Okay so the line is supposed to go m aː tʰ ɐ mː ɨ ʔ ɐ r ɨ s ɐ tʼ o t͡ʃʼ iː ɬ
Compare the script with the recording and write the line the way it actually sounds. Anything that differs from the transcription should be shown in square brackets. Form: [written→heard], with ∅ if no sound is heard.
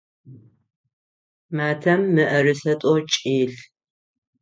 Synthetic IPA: m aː tʰ ɐ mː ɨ ʔ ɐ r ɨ s ɐ tʼ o t͡ʃʼ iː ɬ